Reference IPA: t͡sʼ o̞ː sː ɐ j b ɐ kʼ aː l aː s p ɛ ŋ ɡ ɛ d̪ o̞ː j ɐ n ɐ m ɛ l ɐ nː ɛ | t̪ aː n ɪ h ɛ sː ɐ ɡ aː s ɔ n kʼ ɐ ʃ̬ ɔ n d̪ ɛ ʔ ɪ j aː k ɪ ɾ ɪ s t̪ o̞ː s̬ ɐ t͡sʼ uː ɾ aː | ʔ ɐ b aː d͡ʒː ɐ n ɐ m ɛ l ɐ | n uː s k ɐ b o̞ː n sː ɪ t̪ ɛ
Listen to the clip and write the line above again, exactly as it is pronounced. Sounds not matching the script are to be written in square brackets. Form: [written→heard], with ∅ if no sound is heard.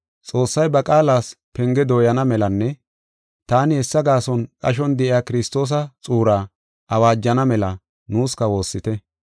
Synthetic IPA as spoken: t͡sʼ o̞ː sː ɐ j b ɐ kʼ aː l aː s p ɛ ŋ ɡ ɛ d̪ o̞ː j ɐ n ɐ m ɛ l ɐ nː ɛ | t̪ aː n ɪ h ɛ sː ɐ ɡ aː s ɔ n kʼ ɐ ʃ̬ ɔ n d̪ ɛ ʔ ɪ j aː k ɪ ɾ ɪ s t̪ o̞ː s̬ ɐ t͡sʼ uː ɾ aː | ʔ ɐ [b→w] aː d͡ʒː ɐ n ɐ m ɛ l ɐ | n uː s k ɐ [b→w] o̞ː [n→∅] sː ɪ t̪ ɛ